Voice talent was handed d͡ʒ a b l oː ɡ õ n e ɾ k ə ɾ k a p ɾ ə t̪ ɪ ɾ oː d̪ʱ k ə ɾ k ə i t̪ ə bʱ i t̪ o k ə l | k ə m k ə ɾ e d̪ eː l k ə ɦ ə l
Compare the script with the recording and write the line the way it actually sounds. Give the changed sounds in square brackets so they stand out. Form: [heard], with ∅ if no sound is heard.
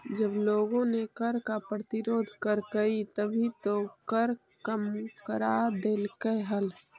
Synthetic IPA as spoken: d͡ʒ [ə] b l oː ɡ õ n e [∅] k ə ɾ k a p ɾ ə t̪ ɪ ɾ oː d̪ʱ k ə ɾ k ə i t̪ ə bʱ i t̪ o k ə [ɾ] | k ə m k ə ɾ [a] d̪ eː l k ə ɦ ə l